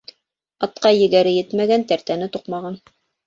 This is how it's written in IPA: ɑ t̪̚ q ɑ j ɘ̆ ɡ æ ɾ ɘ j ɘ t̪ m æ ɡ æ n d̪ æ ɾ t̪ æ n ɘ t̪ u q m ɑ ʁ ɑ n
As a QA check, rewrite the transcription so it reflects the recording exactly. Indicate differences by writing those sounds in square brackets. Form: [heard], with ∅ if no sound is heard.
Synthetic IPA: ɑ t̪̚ q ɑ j ɘ̆ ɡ æ ɾ ɘ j ɘ t̪ m æ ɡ æ n [t̪] æ ɾ t̪ æ n ɘ t̪ u q m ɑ ʁ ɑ n